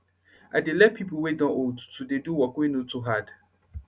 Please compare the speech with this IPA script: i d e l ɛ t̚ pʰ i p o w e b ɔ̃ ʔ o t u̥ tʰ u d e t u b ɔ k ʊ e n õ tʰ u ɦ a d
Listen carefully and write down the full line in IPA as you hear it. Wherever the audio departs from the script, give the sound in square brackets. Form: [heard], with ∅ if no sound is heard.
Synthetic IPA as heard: [a] d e l ɛ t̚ pʰ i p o w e [d] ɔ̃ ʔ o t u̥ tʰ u d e [d] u [w] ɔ k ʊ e n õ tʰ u ɦ a d